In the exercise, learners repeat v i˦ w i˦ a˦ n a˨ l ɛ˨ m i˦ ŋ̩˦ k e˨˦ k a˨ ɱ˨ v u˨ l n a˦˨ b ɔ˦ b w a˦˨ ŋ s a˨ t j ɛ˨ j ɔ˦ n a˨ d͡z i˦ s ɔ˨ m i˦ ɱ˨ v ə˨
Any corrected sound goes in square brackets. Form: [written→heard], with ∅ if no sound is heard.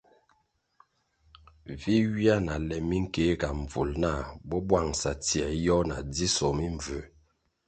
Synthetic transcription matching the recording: v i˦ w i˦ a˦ n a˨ l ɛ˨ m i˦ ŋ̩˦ k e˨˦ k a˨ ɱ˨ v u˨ l n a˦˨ b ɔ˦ b w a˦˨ ŋ s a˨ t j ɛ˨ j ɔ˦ n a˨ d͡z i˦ s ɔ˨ m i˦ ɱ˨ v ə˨